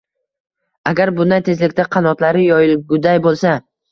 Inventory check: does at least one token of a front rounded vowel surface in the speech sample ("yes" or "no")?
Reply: no